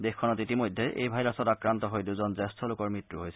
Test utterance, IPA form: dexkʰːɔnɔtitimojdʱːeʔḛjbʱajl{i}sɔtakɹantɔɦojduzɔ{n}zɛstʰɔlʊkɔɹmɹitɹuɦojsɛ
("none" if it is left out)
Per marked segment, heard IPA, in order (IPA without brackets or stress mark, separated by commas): a, n